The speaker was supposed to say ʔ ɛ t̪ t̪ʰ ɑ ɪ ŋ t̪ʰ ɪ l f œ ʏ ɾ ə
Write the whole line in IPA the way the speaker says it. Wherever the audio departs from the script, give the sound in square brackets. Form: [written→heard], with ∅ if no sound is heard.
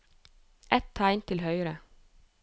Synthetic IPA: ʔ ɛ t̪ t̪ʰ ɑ ɪ [ŋ→n] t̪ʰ ɪ l [f→h] œ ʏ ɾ ə